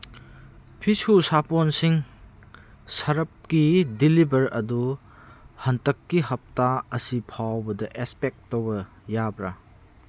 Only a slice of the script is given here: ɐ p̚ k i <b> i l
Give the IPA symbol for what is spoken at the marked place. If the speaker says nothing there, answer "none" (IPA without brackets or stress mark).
d